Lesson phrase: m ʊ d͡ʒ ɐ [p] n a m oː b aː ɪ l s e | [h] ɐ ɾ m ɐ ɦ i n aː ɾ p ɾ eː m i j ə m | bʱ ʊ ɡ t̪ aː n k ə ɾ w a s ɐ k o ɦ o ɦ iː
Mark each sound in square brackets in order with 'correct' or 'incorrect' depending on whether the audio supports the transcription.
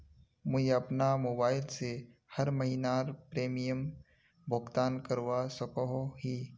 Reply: correct, correct

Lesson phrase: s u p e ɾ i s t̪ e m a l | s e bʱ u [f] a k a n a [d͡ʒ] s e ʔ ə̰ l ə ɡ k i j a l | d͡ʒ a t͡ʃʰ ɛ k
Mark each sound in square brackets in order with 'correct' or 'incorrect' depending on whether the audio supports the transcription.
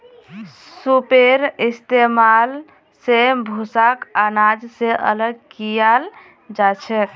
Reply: incorrect, correct

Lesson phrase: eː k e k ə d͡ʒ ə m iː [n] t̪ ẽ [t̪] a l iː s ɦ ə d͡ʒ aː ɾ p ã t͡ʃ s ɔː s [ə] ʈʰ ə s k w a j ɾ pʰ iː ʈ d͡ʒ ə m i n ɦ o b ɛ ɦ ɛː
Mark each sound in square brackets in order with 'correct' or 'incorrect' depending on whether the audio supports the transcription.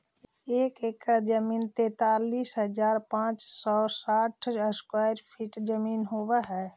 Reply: correct, correct, incorrect

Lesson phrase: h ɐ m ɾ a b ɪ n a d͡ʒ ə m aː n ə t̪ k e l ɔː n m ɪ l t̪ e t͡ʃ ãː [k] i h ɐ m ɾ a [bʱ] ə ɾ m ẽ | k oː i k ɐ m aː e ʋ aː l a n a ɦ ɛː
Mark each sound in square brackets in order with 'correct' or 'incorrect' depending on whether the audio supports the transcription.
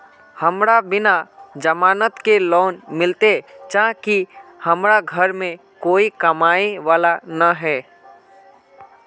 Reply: correct, incorrect

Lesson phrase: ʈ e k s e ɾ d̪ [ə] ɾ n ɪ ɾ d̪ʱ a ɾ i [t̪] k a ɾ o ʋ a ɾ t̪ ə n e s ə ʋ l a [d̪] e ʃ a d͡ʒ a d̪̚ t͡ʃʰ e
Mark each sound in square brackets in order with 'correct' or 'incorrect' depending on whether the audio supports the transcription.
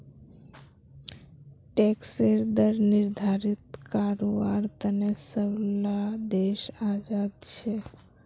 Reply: correct, correct, correct

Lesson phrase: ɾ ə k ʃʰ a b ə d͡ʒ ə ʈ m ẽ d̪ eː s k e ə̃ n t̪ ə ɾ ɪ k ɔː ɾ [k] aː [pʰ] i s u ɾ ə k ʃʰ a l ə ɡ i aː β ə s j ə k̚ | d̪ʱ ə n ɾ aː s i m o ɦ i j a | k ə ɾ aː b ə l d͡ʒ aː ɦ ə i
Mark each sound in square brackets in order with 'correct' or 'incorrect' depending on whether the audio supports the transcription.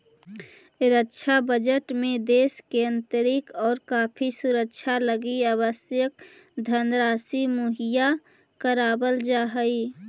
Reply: correct, correct

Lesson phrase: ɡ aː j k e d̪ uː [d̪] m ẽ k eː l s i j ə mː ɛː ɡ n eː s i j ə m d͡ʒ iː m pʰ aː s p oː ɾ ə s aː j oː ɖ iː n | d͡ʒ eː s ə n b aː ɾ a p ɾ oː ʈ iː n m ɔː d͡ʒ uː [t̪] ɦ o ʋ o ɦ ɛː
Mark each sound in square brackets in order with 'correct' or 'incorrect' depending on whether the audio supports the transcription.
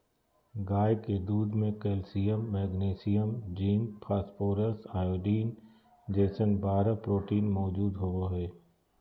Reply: correct, incorrect

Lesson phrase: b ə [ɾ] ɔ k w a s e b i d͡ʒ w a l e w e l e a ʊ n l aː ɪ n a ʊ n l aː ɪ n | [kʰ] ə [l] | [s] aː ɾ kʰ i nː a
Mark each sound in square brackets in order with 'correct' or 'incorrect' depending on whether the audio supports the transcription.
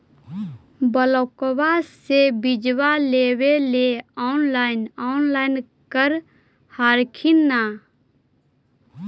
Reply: incorrect, incorrect, incorrect, incorrect

